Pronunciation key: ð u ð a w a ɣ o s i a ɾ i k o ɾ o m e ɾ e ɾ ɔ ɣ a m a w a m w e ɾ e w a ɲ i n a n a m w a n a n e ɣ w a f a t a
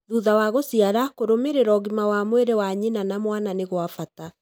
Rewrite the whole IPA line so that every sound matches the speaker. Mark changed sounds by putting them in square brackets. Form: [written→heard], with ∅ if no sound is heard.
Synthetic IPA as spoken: ð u ð a w a ɣ o s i a ɾ [i→a] k o ɾ o m e ɾ e ɾ ɔ ɣ [a→i] m a w a m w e ɾ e w a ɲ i n a n a m w a n a n e ɣ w a f a t a